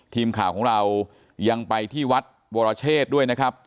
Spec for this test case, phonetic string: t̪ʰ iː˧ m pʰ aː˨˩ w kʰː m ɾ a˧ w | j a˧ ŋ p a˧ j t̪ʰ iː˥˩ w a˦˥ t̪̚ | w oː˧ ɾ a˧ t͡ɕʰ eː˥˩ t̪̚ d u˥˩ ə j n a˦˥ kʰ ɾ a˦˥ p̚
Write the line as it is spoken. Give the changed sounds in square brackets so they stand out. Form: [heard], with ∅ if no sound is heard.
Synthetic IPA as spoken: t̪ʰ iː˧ m [kʰ] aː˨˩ w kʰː [ŋ] ɾ a˧ w | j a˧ ŋ p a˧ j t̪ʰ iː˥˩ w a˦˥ t̪̚ | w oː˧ ɾ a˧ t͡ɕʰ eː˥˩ t̪̚ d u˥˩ ə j n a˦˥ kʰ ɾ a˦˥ p̚